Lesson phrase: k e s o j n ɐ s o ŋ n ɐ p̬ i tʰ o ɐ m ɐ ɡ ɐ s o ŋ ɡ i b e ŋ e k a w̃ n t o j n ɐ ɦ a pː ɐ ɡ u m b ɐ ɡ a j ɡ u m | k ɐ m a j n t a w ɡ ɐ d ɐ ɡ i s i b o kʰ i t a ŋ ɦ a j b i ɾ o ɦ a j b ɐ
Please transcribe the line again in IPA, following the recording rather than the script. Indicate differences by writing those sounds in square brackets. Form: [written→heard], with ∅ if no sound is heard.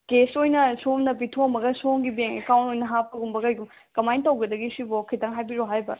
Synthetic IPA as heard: k e s o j n ɐ s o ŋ n ɐ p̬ i tʰ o ɐ m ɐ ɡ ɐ s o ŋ ɡ i b e ŋ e k a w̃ n t o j n ɐ ɦ a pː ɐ ɡ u m b ɐ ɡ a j ɡ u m | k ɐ m a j n t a w ɡ ɐ d ɐ ɡ i s i b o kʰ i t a ŋ ɦ a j b i ɾ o ɦ a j b ɐ